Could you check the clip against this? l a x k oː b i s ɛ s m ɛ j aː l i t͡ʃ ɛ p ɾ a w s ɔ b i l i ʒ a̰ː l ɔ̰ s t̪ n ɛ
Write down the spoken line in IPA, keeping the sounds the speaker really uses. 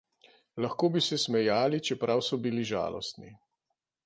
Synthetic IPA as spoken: l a x k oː b i s ɛ s m ɛ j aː l i t͡ʃ ɛ p ɾ a w s ɔ b i l i ʒ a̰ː l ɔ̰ s t̪ n i